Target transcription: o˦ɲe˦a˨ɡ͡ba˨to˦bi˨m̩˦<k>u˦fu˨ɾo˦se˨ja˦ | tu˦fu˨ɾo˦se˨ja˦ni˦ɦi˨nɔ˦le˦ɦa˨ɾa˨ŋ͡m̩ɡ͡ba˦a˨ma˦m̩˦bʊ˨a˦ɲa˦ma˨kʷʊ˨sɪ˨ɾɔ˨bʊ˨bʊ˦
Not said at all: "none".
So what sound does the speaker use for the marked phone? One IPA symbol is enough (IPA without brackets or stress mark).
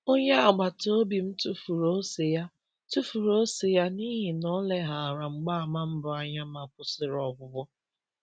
t